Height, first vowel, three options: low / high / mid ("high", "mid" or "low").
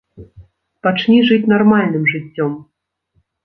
low